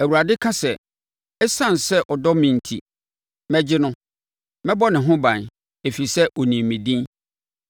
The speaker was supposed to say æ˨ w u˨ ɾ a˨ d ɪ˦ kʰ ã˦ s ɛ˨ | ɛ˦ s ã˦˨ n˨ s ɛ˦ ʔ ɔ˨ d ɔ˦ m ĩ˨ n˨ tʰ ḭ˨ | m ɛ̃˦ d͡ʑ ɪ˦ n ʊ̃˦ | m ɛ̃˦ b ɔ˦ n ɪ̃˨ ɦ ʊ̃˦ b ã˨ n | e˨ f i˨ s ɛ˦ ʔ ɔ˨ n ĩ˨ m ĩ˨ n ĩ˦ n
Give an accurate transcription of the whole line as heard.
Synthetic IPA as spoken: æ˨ w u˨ ɾ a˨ d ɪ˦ kʰ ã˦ s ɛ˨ | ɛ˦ s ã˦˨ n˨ s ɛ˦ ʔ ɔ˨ d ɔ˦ m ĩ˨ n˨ tʰ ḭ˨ | m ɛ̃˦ d͡ʑ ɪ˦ n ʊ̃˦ | m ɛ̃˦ b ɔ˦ n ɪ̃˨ ɦ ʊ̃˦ b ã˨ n | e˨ f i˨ s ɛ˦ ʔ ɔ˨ n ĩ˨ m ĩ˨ d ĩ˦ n